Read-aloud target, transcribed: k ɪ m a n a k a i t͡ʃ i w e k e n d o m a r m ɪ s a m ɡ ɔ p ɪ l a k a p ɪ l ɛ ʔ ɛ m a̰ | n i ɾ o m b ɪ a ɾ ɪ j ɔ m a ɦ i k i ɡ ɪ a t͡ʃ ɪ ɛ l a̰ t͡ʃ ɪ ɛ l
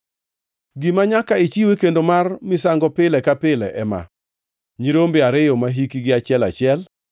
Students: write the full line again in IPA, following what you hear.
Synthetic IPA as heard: ɡ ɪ m a ɲ a k a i t͡ʃ i w e k e n d o m a r m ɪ s a ŋ ɡ ɔ p ɪ l ɛ k a p ɪ l ɛ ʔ ɛ m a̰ | ɲ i ɾ o m b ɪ a ɾ ɪ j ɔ m a ɦ i k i ɡ ɪ a t͡ʃ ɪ ɛ l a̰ t͡ʃ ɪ ɛ l